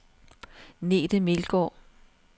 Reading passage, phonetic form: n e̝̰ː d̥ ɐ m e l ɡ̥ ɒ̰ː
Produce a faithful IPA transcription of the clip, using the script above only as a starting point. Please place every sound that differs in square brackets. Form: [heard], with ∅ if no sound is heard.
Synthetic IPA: n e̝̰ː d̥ [ə] m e l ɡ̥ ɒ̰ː